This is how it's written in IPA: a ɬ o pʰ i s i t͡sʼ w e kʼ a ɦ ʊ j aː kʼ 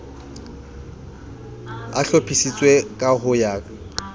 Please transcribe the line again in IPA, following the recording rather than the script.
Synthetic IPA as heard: a ɬ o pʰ i s i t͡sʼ w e kʼ a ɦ ʊ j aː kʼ